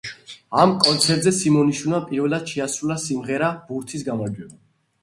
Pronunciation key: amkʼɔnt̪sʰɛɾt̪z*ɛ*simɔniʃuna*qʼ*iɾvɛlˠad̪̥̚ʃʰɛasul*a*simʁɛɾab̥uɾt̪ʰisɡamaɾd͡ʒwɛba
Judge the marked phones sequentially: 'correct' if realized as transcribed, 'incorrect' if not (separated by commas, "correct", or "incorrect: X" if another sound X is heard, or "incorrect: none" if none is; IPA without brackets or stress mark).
correct, incorrect: pʼ, correct